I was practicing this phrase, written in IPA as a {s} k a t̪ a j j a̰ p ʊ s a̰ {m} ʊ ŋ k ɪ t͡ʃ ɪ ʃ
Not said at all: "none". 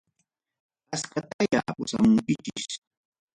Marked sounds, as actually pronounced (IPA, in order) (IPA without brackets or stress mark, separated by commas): s, m